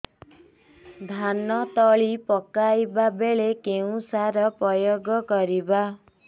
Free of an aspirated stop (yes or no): yes